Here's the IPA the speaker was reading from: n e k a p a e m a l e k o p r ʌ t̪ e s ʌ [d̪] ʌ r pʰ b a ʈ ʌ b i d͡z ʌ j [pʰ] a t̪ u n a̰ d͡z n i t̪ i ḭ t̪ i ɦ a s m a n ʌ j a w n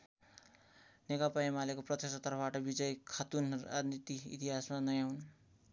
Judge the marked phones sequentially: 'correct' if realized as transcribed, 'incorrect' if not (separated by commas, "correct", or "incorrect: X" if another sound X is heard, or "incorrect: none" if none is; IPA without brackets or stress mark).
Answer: incorrect: t̪, incorrect: kʰ